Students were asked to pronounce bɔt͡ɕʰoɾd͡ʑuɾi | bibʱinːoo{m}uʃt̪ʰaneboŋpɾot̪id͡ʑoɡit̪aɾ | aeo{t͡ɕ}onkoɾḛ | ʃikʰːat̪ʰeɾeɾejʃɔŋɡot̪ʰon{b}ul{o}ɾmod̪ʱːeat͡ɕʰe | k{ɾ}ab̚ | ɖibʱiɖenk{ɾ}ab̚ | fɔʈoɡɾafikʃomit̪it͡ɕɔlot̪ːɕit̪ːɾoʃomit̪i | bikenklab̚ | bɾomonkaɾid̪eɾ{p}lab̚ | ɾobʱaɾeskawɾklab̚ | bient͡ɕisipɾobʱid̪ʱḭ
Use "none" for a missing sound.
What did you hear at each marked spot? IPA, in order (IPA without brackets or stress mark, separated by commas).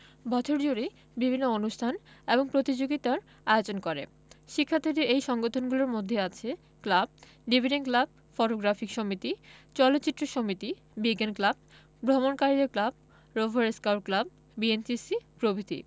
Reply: n, t͡ɕ, ɡ, o, l, l, k